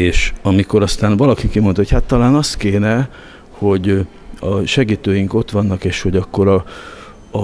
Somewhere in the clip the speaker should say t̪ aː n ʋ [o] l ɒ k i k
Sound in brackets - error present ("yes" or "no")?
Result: yes